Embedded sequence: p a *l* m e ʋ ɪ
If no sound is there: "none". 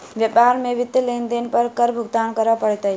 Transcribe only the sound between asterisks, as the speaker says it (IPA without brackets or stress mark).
ɾ